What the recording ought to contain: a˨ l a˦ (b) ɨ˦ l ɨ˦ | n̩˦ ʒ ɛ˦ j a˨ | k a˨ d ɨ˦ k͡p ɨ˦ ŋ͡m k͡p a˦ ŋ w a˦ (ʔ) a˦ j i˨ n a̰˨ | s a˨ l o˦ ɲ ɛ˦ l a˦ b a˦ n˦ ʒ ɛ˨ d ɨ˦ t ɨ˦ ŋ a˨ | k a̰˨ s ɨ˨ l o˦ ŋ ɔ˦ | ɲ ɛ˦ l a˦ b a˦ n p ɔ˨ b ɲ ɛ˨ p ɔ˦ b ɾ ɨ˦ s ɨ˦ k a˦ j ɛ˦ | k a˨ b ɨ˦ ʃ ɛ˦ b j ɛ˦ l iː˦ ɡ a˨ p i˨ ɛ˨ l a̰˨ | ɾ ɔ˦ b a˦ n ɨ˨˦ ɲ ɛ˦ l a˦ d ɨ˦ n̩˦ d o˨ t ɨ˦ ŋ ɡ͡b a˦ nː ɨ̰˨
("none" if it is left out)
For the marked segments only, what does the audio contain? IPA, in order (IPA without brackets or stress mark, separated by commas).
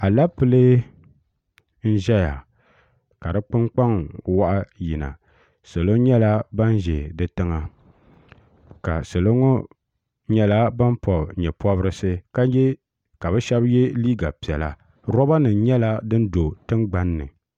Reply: p, ʔ